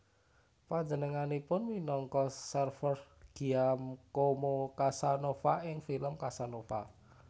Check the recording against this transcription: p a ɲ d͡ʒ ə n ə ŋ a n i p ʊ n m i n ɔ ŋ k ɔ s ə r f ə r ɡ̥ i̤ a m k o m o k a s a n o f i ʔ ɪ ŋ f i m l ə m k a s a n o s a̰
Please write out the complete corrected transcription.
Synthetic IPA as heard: p a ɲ d͡ʒ ə n ə ŋ a n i p ʊ n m i n ɔ ŋ k ɔ s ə r f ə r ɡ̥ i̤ a m k o m o k a s a n o f a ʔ ɪ ŋ f i l ə m k a s a n o f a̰